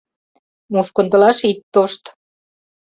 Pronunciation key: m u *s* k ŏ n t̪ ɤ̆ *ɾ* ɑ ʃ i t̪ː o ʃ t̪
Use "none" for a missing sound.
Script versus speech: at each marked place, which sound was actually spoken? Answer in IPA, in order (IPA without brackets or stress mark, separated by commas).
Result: ʃ, l